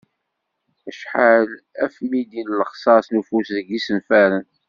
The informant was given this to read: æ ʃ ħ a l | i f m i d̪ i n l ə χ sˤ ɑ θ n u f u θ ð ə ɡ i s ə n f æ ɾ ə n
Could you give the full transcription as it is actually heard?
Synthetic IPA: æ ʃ ħ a l | æ f m i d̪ i n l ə χ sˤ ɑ s n u f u s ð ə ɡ i s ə n f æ ɾ ə n